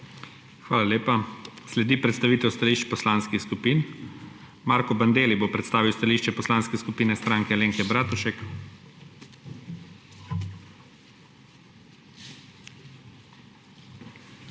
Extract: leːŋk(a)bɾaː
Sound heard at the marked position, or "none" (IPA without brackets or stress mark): ɛ